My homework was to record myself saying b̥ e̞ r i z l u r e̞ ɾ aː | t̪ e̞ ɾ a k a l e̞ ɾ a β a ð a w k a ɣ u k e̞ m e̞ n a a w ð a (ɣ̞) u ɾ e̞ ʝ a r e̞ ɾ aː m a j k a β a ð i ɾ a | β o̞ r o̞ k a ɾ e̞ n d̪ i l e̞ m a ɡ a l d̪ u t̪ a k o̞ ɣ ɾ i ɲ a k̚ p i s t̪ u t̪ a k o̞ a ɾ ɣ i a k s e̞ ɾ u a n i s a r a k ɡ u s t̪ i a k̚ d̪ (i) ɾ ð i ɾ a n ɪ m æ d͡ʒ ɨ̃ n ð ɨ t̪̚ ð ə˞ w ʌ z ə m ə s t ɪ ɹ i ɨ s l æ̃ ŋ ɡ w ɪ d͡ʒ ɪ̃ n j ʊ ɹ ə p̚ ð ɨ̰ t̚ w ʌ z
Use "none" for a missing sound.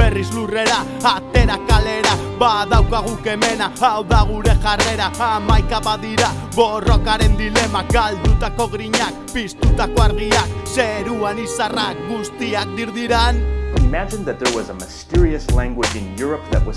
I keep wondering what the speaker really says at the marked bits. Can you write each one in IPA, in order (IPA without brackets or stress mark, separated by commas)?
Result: ɣ̞, i